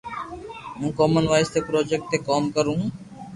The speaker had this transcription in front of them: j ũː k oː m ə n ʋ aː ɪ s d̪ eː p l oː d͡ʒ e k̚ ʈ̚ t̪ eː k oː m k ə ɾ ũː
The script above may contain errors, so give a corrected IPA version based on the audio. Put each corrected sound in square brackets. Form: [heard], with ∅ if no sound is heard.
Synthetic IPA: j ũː k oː m ə n ʋ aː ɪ s [t̪] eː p [ɾ] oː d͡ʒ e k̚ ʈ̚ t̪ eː k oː m k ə ɾ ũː

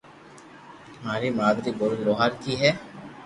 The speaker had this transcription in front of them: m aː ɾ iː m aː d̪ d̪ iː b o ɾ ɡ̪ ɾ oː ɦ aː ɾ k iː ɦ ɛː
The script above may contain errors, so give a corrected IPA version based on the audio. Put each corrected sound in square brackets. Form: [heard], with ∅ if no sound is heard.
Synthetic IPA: m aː ɾ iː m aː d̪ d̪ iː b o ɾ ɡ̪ ɾ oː ɦ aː ɾ k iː ɦ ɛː

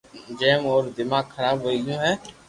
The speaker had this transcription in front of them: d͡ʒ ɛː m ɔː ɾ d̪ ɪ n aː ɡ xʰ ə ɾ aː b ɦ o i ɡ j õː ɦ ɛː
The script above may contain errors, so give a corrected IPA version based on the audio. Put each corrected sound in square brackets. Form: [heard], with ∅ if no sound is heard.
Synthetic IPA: d͡ʒ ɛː m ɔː ɾ d̪ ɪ [m] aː ɡ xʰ ə ɾ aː b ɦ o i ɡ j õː ɦ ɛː

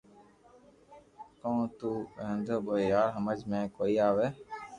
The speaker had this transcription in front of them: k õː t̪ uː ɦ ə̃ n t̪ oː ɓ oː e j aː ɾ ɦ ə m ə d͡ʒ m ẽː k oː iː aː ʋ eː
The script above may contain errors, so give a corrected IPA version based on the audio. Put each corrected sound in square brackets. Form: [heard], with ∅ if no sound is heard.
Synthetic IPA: k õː t̪ uː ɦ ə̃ n [d̪] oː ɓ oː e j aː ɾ ɦ ə m ə d͡ʒ m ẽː k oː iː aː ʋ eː

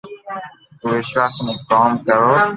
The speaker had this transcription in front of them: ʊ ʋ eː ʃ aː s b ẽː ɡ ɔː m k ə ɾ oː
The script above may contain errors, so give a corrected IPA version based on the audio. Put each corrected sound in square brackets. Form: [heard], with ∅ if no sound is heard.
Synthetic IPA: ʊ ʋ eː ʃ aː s [m] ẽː [k] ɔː m k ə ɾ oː

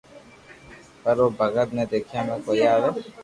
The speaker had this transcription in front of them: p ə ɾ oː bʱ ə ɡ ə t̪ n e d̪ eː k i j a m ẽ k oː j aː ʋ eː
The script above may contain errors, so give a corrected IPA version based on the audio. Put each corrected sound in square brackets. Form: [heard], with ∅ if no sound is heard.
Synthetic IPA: p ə ɾ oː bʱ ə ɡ ə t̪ n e d̪ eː [kʰ] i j a m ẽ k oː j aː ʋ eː

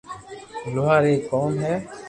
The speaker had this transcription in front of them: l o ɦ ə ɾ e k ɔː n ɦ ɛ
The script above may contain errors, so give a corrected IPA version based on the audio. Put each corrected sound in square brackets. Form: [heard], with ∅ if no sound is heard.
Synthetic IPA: l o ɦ [a] ɾ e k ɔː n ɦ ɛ

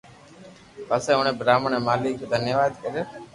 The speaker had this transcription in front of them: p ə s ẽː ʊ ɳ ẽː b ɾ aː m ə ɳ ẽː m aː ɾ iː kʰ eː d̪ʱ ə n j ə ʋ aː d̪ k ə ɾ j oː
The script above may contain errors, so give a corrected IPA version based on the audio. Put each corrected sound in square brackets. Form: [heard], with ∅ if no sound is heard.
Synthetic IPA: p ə s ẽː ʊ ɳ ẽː b ɾ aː m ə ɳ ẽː m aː [l] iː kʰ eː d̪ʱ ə n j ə ʋ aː d̪ k ə ɾ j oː

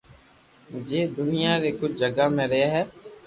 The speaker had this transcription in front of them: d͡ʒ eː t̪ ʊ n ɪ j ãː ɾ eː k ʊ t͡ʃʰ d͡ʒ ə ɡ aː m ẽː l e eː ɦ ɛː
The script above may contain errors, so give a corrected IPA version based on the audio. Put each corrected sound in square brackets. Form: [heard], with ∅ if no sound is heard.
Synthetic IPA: d͡ʒ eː [d̪] ʊ n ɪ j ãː ɾ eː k ʊ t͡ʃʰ d͡ʒ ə ɡ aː m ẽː [ɾ] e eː ɦ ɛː

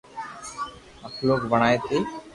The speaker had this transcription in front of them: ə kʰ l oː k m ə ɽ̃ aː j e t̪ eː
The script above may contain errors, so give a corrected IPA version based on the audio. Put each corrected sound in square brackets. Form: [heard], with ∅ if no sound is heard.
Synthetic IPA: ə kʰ l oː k [b] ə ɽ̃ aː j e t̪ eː

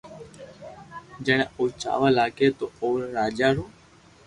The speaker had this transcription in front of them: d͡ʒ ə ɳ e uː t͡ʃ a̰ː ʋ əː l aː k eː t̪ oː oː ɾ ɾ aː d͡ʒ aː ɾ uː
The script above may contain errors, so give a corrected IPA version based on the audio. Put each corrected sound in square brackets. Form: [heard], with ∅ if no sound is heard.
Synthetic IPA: d͡ʒ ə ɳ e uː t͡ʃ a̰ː ʋ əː l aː k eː t̪ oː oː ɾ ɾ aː d͡ʒ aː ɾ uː

